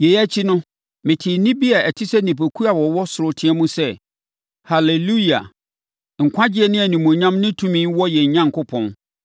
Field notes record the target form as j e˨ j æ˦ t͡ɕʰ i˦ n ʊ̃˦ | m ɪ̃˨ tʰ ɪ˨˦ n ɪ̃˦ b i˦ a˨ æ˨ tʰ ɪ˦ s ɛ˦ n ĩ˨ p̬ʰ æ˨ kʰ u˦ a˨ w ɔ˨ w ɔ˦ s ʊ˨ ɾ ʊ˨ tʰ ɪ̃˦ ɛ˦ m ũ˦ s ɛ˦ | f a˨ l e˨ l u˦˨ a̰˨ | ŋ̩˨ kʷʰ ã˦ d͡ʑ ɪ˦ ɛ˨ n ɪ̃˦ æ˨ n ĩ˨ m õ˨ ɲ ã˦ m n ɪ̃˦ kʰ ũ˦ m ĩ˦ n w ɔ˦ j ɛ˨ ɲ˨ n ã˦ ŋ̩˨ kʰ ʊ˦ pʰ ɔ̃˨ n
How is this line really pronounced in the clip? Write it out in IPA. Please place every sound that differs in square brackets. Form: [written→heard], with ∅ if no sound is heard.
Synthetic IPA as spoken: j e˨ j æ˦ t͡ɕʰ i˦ n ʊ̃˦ | m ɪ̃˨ tʰ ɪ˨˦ n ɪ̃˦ b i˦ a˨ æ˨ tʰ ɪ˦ s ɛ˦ n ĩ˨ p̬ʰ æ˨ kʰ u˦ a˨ w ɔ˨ w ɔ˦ s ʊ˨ ɾ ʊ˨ tʰ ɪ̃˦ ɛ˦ m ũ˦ s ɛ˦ | [f→h] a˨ l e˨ l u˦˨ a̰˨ | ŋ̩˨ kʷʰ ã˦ d͡ʑ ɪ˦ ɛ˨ n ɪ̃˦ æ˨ n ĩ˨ m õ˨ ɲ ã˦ m n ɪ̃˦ [kʰ→tʰ] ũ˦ m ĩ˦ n w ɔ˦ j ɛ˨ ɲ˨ [n→ɲ] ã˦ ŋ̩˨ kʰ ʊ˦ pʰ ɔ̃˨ n